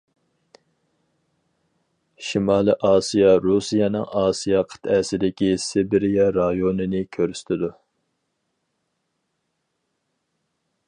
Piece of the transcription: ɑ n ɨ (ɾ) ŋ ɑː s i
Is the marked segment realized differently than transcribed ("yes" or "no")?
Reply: yes